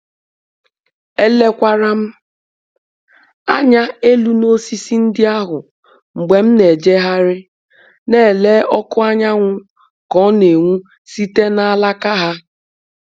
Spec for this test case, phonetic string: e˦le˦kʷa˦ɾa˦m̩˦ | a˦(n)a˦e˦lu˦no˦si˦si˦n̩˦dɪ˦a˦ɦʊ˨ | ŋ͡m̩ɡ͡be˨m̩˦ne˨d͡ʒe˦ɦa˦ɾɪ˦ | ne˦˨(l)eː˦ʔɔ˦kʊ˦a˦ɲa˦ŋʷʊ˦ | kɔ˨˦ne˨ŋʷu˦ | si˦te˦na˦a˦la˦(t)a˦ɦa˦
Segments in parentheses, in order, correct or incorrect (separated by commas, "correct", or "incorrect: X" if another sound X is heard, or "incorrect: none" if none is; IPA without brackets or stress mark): incorrect: ɲ, correct, incorrect: k